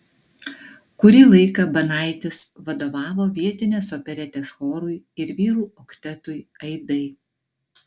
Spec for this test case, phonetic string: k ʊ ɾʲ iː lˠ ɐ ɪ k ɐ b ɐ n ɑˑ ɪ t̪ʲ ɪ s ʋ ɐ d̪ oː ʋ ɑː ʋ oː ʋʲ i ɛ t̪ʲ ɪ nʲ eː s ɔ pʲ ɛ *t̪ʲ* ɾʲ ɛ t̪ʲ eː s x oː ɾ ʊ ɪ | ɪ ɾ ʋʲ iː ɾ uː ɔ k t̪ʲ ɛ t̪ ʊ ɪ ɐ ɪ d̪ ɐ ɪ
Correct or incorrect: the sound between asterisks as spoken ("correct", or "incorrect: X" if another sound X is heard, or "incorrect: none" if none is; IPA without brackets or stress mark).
incorrect: none